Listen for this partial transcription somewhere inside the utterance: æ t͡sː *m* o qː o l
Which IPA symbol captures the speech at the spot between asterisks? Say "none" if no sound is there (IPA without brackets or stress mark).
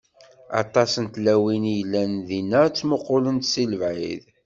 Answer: m